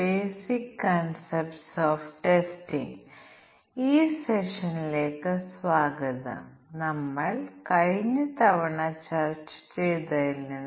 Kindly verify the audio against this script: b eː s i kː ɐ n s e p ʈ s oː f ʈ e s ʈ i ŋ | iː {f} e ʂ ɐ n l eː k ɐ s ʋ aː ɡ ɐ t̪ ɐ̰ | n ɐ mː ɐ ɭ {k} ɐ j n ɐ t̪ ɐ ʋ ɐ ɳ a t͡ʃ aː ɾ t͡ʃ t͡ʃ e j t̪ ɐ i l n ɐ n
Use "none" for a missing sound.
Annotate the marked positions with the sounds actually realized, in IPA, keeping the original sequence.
s, k

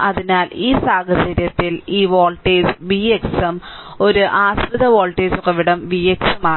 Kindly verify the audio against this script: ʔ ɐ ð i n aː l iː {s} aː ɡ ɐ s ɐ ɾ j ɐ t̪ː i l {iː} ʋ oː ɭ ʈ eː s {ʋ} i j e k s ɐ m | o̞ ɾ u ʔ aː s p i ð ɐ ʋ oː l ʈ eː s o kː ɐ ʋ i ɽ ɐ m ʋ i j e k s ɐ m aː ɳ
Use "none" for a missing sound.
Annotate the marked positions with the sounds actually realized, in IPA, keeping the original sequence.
s, iː, ʋ

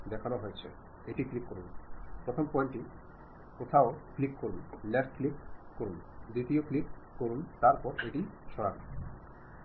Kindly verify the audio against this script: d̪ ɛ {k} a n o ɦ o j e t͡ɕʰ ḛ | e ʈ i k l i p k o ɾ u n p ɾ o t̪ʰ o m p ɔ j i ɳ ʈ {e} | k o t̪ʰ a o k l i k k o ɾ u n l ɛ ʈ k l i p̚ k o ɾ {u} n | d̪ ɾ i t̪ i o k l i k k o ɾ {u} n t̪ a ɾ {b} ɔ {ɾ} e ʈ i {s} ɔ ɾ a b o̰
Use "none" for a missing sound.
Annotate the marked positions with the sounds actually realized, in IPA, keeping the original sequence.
kʰ, i, u, u, p, ɾ, ʃ

